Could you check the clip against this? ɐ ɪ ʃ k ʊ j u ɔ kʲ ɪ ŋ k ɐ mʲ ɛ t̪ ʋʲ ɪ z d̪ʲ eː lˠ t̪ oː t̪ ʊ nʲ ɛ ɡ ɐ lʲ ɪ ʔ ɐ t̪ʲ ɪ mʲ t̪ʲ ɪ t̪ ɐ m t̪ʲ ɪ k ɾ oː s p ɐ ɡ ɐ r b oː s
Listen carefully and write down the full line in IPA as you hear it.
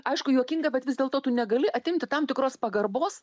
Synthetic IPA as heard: ɐ ɪ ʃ k ʊ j u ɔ kʲ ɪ ŋ ɡ ɐ bʲ ɛ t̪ ʋʲ ɪ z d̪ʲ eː lˠ t̪ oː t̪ ʊ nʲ ɛ ɡ ɐ lʲ ɪ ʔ ɐ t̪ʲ ɪ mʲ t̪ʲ ɪ t̪ ɐ m t̪ʲ ɪ k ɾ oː s p ɐ ɡ ɐ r b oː s

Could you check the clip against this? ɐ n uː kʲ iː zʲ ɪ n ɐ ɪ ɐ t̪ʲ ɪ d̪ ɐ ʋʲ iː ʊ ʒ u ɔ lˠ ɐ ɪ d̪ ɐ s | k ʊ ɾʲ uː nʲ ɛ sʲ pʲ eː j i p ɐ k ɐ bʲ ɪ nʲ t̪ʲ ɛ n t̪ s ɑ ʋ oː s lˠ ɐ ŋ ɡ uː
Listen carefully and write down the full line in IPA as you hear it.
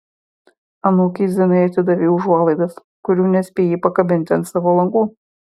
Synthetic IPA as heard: ɐ n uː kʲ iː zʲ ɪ n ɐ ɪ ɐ t̪ʲ ɪ d̪ ɐ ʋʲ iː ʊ ʒ u ɔ lˠ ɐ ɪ d̪ ɐ s | k ʊ ɾʲ uː nʲ ɛ sʲ pʲ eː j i p ɐ k ɐ bʲ ɪ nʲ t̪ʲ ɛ n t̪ s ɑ ʋ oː lˠ ɐ ŋ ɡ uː

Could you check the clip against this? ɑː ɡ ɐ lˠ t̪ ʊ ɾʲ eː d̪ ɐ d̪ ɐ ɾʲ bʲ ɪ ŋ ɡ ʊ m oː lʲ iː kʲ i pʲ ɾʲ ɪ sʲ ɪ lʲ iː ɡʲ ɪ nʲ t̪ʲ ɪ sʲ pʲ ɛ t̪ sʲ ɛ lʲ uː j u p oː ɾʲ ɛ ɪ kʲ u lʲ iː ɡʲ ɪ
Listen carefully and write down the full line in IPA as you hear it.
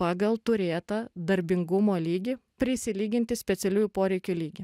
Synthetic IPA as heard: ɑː ɡ ɐ lˠ t̪ ʊ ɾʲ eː t̪ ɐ d̪ ɐ ɾʲ bʲ ɪ ŋ ɡ ʊ m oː lʲ iː ɡʲ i pʲ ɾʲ ɪ sʲ ɪ lʲ iː ɡʲ ɪ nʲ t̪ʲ ɪ sʲ pʲ ɛ t̪ sʲ ɛ lʲ uː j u p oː ɾʲ ɛ ɪ kʲ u lʲ iː ɡʲ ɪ

